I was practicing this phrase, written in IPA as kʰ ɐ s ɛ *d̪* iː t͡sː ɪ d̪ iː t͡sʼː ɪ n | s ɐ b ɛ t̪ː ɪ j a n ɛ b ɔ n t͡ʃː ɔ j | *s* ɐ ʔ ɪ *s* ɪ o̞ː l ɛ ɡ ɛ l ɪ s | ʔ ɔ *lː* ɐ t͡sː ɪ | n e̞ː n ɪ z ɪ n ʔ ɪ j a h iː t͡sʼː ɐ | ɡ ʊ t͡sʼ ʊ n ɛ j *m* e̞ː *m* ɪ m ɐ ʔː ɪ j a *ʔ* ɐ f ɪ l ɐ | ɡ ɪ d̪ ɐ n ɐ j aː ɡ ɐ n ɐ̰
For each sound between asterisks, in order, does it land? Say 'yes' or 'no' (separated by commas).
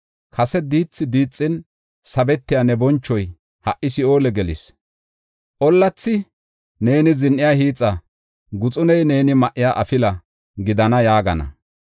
yes, no, yes, yes, no, no, yes